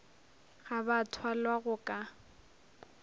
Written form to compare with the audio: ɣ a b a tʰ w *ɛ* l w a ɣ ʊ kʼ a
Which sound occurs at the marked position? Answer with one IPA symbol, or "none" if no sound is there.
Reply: a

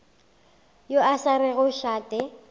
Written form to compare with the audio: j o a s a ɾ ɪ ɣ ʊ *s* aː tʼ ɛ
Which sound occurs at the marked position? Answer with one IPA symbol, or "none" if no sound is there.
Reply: ʃ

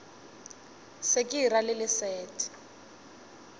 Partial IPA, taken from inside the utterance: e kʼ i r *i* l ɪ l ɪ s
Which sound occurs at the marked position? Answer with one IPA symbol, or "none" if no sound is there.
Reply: a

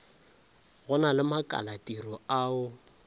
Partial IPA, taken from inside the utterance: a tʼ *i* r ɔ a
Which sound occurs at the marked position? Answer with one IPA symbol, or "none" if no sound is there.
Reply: i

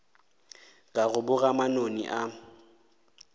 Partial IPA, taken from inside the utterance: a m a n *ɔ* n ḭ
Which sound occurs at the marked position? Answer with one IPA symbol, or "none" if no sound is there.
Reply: o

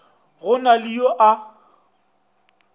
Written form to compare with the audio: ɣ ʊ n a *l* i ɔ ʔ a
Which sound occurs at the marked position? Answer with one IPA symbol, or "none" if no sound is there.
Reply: l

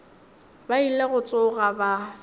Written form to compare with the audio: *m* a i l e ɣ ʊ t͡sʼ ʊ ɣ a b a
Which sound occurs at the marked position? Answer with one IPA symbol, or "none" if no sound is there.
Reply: b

